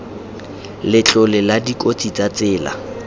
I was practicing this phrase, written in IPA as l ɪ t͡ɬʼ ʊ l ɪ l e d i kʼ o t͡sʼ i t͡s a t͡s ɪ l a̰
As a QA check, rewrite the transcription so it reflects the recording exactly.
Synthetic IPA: l ɪ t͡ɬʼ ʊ l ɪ l a d i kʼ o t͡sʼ i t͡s a t͡s ɪː l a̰